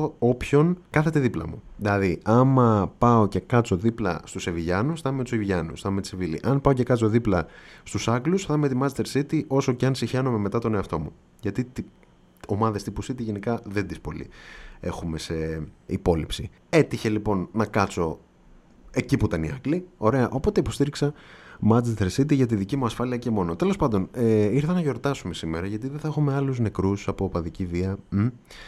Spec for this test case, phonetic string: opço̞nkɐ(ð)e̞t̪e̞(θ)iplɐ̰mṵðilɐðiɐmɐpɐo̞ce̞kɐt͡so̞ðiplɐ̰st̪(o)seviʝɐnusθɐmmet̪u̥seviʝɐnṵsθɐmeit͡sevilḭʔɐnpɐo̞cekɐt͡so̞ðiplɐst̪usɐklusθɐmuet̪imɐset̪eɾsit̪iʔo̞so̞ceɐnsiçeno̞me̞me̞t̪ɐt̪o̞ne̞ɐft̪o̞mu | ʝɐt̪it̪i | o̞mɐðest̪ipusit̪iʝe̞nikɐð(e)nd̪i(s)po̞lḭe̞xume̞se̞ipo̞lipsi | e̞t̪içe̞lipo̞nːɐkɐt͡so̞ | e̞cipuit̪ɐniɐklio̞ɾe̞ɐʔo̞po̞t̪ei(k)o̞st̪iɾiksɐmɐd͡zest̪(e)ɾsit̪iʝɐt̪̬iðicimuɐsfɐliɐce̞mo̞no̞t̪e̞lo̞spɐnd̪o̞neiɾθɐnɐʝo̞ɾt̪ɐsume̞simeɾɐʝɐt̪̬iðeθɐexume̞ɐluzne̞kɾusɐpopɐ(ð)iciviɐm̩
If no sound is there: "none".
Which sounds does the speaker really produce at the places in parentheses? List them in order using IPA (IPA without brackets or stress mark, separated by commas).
θ, ð, u, e, s, p, e, ð